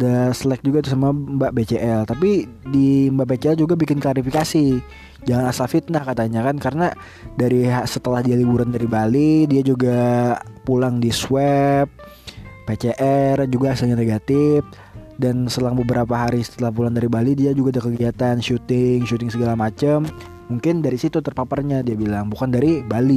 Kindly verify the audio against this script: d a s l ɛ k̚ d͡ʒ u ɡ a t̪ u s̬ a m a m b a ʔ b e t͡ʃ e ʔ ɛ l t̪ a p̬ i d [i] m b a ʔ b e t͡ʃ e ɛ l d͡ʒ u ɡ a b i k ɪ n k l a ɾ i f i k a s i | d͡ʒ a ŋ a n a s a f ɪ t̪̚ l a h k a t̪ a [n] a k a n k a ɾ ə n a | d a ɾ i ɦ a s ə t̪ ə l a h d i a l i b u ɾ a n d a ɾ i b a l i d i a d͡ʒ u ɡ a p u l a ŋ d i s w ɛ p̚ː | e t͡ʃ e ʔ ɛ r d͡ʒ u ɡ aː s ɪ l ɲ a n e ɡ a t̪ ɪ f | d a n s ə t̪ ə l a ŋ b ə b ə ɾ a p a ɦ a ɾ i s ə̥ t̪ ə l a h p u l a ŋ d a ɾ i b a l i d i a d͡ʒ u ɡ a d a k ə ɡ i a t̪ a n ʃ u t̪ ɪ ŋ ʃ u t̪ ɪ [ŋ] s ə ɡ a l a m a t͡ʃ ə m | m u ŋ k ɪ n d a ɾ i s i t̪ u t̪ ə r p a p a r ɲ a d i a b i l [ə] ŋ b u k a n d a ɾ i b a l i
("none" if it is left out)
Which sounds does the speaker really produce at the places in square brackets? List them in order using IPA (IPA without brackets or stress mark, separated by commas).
i, ɲ, ŋ, a